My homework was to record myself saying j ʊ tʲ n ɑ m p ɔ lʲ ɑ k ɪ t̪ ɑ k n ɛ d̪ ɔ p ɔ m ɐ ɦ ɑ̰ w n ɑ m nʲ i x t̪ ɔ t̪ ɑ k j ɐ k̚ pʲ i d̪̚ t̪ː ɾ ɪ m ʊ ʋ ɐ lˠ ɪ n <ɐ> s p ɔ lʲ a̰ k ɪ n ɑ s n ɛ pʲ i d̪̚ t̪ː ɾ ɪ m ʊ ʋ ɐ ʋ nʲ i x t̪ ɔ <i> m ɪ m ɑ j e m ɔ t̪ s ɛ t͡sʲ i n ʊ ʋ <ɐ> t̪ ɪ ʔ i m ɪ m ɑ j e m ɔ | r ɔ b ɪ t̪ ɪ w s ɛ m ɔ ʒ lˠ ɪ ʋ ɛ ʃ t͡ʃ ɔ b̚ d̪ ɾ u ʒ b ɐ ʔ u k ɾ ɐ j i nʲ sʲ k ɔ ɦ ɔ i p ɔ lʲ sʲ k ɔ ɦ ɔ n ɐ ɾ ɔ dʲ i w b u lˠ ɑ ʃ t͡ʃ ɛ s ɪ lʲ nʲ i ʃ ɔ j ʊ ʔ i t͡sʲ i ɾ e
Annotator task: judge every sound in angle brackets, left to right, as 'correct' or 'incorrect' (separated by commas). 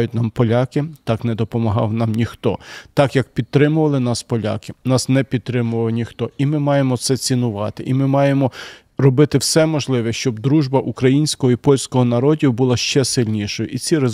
incorrect, correct, incorrect